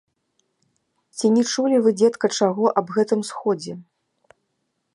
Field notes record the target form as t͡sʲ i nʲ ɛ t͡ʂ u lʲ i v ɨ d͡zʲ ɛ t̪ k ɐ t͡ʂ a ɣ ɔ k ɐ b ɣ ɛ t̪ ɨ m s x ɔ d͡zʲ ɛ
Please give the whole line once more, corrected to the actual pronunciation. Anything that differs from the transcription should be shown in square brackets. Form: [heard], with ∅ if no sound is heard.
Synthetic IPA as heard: t͡sʲ i nʲ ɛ t͡ʂ u lʲ i v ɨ d͡zʲ ɛ t̪ k ɐ t͡ʂ a ɣ ɔ [ʔ] ɐ b ɣ ɛ t̪ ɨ m s x ɔ d͡zʲ ɛ